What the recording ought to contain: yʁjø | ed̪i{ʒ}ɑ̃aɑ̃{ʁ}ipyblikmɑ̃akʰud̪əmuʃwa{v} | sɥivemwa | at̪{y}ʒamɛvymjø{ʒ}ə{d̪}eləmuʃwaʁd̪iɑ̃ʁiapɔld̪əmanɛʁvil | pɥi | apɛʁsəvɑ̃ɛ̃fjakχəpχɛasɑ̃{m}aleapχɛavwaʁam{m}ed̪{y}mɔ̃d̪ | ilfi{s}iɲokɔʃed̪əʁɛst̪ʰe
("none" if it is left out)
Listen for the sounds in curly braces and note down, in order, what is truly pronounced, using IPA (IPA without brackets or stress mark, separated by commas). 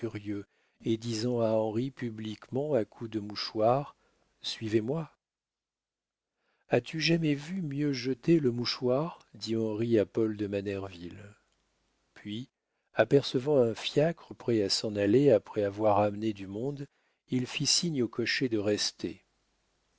z, ʁ, ʁ, y, ʒ, t̪, n, n, y, s